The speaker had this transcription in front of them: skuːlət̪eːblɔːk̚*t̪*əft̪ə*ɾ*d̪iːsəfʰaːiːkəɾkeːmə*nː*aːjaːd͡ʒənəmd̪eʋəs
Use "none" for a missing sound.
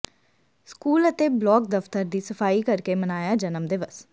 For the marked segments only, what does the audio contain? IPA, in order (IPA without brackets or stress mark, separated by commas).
d̪, ɾ, n